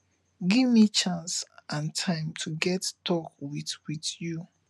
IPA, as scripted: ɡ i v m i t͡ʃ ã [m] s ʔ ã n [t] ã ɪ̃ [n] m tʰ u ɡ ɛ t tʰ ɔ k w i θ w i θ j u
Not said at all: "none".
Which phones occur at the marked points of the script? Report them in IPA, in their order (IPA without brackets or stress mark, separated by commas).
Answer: n, tʰ, none